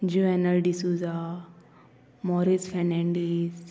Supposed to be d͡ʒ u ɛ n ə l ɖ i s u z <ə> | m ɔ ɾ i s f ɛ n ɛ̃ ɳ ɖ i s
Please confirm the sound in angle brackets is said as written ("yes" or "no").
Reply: no